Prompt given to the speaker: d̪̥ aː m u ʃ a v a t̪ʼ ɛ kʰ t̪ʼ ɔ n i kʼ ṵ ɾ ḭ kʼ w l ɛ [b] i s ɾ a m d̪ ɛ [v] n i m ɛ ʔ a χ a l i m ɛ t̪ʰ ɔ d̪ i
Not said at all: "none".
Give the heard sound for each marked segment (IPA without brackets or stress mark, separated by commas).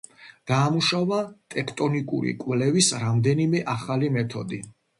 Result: v, none